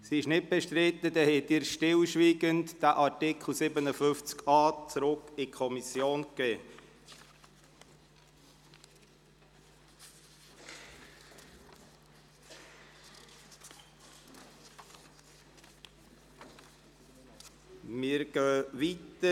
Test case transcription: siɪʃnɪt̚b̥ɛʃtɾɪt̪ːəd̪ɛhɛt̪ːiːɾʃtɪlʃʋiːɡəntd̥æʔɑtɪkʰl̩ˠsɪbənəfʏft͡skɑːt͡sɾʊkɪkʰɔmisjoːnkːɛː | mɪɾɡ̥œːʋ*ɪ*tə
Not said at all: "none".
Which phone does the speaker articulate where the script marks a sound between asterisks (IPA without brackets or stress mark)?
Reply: i